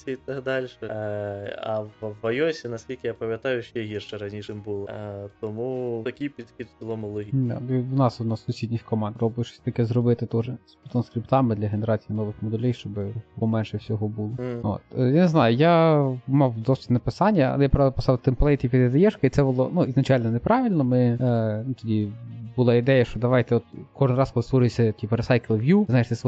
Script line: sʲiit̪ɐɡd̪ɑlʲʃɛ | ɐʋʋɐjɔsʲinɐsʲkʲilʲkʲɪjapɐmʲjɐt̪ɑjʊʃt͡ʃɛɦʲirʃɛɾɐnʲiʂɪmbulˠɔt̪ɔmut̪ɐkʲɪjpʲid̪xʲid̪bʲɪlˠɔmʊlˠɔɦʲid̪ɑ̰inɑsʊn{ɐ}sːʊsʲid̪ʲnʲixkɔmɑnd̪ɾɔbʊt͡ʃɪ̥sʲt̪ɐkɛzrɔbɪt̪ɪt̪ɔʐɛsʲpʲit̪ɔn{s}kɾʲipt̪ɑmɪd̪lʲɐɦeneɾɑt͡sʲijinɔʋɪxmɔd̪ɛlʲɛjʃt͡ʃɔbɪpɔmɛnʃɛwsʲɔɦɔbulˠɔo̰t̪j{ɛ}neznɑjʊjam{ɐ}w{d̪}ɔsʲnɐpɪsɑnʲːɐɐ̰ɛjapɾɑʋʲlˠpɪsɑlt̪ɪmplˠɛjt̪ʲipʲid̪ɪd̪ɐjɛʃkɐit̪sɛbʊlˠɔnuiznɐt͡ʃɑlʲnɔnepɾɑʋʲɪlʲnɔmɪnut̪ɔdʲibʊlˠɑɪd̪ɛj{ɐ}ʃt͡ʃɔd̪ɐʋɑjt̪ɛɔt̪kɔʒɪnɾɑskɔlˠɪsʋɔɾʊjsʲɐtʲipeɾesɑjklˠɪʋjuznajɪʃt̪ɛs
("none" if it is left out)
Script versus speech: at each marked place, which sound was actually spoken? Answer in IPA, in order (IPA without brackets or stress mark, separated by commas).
ɑ, s, a, ɑ, d̪, ɐ